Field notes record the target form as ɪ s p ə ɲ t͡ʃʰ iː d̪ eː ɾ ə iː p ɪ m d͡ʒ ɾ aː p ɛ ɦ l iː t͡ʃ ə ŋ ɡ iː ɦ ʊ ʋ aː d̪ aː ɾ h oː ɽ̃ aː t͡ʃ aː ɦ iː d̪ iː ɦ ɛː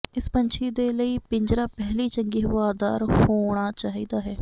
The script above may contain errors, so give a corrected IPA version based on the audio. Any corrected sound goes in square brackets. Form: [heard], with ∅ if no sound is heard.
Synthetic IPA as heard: ɪ s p ə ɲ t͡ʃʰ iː d̪ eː [l] ə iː p ɪ [ɲ] d͡ʒ ɾ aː p ɛ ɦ l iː t͡ʃ ə ŋ ɡ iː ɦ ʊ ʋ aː d̪ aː ɾ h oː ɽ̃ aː t͡ʃ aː ɦ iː d̪ [aː] ɦ ɛː